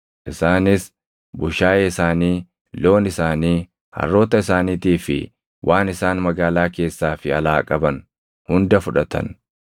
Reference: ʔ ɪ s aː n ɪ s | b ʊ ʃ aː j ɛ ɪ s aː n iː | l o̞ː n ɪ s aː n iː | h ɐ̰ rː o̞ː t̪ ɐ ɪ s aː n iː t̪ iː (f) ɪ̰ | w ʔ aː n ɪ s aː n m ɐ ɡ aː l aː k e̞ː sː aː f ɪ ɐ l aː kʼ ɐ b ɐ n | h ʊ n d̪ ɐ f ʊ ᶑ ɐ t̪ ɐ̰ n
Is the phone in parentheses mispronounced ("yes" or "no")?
no